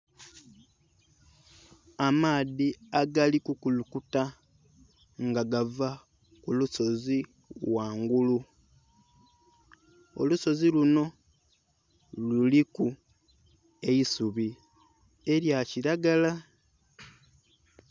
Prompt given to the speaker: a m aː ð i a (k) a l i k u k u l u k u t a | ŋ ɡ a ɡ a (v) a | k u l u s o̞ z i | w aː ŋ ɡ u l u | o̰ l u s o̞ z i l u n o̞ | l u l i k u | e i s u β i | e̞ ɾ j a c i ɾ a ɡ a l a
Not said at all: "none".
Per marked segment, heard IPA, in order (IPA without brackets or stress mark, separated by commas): ɡ, v